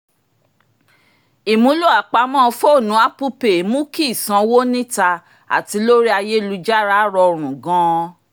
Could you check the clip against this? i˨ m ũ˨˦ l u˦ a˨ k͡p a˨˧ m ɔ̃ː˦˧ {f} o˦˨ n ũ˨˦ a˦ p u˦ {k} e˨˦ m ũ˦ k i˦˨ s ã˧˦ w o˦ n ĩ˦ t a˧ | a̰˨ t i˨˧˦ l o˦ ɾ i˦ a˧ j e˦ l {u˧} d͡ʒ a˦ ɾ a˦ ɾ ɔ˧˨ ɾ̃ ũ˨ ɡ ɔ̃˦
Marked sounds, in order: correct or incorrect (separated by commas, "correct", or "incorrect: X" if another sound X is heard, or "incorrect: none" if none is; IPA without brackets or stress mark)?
correct, incorrect: p, correct